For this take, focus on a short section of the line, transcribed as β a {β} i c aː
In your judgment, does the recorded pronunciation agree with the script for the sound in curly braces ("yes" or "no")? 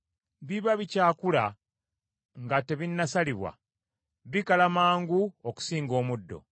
yes